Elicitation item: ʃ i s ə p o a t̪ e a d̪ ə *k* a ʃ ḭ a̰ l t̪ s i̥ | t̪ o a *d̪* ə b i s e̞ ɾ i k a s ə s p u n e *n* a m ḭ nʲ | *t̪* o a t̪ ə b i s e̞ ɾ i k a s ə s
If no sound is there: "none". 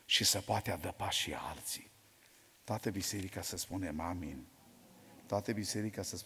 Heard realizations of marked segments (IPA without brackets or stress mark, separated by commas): p, t̪, m, t̪